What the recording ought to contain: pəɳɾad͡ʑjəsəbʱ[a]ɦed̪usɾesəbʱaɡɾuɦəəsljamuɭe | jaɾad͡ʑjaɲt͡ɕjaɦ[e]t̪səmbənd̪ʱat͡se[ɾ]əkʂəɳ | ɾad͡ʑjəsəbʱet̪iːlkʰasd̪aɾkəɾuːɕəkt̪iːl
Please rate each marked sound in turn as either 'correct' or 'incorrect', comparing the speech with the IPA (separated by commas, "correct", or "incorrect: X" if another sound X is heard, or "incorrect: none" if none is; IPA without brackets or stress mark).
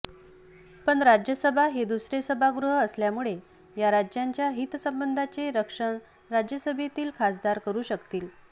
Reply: correct, incorrect: i, correct